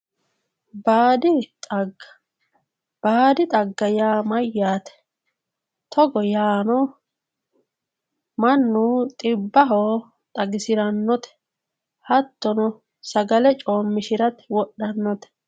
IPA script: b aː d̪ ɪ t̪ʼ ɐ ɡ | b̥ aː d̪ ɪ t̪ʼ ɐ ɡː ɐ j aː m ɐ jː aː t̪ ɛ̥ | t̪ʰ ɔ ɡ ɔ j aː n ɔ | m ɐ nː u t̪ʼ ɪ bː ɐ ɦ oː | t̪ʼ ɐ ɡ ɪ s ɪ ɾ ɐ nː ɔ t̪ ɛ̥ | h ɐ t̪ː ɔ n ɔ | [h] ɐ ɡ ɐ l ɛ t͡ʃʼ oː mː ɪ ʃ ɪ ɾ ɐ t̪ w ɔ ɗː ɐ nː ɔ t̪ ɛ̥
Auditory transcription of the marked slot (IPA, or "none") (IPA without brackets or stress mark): s